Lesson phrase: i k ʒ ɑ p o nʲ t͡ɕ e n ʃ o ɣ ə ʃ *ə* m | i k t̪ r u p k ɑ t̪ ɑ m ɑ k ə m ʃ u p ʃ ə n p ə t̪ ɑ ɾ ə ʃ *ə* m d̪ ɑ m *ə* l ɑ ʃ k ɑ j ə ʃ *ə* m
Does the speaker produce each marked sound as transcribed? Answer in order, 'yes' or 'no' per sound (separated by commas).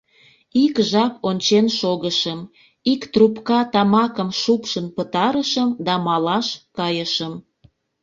yes, yes, no, yes